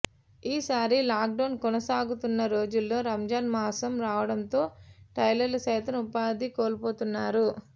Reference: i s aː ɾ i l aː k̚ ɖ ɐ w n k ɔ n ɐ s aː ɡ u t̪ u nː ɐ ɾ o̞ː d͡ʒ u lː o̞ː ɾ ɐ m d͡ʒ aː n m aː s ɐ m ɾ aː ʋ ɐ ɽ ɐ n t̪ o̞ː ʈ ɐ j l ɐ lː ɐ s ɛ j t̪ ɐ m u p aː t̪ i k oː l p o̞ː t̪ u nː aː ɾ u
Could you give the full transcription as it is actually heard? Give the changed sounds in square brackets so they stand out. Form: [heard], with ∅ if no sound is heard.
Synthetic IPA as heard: [iː] s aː ɾ i l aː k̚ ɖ ɐ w n k ɔ n ɐ s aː ɡ u t̪ u nː ɐ ɾ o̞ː d͡ʒ u lː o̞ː ɾ ɐ m d͡ʒ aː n m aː s ɐ m ɾ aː ʋ ɐ ɽ ɐ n t̪ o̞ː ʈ ɐ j l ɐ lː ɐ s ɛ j t̪ ɐ m u p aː [d̪] i k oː l p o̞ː t̪ u nː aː ɾ u